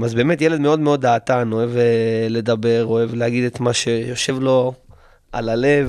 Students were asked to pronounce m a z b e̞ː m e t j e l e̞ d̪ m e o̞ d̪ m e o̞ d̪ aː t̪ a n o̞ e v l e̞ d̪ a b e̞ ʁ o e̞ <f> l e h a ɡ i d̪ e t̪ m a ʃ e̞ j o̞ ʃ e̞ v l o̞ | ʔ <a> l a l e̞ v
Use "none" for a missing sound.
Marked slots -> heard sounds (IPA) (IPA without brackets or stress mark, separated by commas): v, a